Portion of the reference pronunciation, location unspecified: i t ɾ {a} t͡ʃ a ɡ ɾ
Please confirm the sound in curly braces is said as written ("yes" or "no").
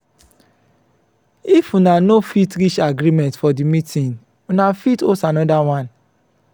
no